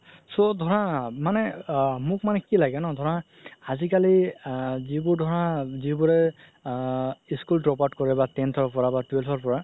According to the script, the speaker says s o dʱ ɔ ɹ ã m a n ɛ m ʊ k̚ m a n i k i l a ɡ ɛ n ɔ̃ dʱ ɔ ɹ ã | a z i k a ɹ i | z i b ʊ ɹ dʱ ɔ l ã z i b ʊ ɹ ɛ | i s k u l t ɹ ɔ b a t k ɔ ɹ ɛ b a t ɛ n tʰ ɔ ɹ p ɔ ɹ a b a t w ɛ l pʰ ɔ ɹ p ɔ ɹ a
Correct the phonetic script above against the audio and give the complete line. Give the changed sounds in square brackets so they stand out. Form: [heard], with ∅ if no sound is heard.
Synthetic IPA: s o dʱ ɔ ɹ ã m a n ɛ m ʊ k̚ m a n [ɛ] k i l a ɡ ɛ n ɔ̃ dʱ ɔ ɹ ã | a z i k a [l] i | z i b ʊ ɹ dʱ ɔ [ɹ] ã z i b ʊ ɹ ɛ | i s k u l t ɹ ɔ [p] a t k ɔ ɹ ɛ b a t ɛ n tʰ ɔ ɹ p ɔ ɹ a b a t w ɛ l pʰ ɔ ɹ p ɔ ɹ a